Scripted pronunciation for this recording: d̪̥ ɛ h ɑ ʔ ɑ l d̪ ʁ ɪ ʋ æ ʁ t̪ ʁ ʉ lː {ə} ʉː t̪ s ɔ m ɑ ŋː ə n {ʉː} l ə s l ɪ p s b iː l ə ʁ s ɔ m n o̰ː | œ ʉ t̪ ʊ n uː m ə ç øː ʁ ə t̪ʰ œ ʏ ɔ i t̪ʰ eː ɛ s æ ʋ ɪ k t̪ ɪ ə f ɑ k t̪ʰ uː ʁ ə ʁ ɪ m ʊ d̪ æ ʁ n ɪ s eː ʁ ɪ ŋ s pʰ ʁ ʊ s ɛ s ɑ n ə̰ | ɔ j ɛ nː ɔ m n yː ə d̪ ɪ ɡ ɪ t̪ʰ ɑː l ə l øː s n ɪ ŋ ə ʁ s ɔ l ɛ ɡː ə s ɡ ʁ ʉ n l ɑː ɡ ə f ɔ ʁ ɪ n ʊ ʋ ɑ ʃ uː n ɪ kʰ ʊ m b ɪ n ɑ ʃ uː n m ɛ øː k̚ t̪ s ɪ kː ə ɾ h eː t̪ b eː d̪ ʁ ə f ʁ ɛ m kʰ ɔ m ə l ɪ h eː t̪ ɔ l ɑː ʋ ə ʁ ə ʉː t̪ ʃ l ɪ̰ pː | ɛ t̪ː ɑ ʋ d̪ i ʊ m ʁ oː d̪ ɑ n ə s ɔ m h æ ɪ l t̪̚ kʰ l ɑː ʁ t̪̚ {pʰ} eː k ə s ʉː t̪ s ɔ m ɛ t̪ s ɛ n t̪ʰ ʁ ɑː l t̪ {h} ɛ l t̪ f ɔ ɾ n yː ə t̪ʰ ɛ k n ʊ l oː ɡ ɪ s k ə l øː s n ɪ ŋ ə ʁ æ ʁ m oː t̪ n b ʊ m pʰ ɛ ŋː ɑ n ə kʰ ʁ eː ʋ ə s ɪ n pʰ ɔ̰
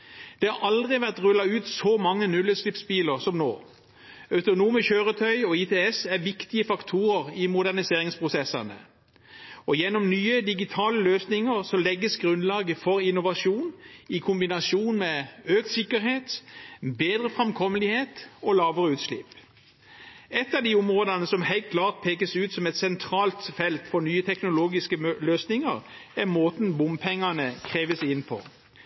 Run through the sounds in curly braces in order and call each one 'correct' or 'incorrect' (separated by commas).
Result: incorrect, incorrect, correct, incorrect